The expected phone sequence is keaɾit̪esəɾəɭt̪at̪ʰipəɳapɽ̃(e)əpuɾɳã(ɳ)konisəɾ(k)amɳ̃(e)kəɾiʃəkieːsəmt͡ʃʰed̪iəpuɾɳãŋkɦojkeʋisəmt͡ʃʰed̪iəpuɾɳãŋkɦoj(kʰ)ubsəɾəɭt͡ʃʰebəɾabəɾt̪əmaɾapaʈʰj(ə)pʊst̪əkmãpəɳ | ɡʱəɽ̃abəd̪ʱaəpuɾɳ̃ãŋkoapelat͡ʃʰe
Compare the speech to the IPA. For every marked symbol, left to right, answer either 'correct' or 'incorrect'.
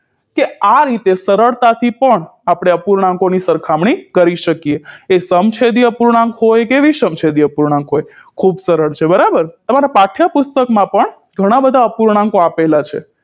correct, incorrect: ŋ, incorrect: kʰ, incorrect: i, correct, incorrect: a

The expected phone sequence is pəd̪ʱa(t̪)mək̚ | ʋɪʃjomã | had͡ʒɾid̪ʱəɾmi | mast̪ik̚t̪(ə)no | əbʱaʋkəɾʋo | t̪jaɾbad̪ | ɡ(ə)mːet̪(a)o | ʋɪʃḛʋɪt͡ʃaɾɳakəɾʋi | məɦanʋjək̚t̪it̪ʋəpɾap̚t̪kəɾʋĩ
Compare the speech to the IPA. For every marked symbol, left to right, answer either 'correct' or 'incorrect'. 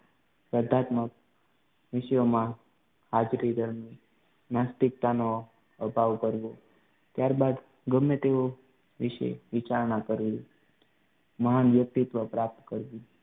correct, incorrect: a, correct, incorrect: e

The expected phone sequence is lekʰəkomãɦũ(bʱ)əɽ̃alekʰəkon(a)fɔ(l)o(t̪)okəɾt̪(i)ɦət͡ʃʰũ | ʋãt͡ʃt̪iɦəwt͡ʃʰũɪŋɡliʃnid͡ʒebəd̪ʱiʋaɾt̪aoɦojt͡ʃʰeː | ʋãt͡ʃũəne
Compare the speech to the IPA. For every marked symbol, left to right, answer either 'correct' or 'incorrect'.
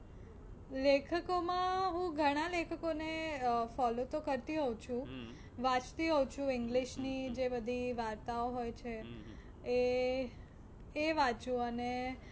incorrect: ɡʱ, incorrect: e, correct, correct, correct

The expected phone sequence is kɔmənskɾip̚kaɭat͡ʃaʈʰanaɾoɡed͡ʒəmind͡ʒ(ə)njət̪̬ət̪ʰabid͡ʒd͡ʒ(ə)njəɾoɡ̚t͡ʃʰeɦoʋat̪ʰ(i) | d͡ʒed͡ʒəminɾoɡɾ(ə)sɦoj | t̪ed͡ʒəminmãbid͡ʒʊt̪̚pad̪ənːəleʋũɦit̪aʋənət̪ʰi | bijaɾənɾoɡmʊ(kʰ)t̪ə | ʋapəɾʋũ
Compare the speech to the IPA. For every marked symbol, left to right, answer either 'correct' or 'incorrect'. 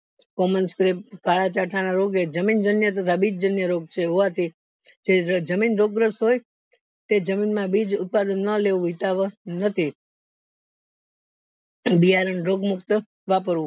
correct, correct, correct, correct, incorrect: k

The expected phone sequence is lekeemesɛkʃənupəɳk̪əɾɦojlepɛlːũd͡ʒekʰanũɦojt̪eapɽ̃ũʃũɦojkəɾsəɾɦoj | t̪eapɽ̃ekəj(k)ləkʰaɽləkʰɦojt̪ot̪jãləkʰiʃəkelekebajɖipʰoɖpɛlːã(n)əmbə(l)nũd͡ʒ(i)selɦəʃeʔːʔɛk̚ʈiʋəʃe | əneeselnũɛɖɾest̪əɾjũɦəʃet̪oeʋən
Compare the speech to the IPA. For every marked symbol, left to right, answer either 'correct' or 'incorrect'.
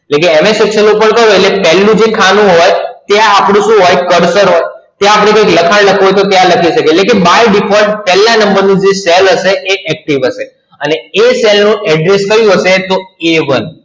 correct, correct, incorrect: ɾ, incorrect: e

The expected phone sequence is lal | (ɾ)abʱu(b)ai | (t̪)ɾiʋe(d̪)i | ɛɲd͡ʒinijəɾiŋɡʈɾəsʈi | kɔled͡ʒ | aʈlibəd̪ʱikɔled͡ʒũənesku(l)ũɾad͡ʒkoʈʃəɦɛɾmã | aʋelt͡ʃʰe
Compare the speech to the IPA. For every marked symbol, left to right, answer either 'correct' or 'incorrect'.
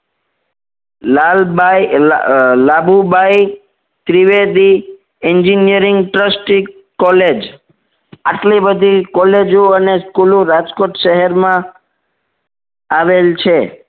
incorrect: l, correct, correct, correct, correct

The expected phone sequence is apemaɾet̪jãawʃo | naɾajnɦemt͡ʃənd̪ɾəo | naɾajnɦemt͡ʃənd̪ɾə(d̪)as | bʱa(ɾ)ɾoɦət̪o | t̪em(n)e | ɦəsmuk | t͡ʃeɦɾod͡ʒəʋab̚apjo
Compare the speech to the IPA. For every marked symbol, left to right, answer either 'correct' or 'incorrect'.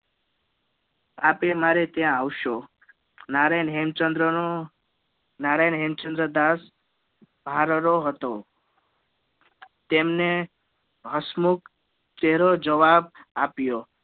correct, correct, correct

